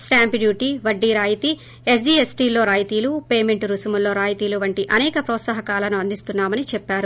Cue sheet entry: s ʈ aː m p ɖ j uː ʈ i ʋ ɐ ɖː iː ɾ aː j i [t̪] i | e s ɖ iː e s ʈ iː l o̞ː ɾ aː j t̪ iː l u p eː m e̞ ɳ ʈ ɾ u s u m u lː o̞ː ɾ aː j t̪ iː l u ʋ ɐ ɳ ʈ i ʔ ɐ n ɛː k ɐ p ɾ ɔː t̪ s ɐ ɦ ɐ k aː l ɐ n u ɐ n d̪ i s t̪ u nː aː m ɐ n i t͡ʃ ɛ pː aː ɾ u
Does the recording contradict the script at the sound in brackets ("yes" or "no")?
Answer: no